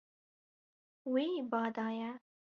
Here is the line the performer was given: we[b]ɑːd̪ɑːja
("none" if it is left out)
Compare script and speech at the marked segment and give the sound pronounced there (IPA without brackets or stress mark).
b